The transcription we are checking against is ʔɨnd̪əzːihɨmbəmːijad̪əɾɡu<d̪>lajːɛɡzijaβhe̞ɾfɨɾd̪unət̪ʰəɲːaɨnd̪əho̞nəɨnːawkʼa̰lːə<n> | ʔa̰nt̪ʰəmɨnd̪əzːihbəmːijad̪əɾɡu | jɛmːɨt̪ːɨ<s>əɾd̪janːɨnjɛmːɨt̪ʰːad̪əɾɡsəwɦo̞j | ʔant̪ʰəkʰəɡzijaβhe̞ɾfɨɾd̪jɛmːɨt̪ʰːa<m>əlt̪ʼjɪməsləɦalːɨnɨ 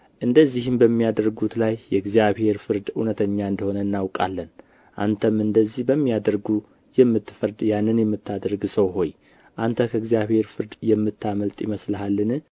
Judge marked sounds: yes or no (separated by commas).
no, yes, no, yes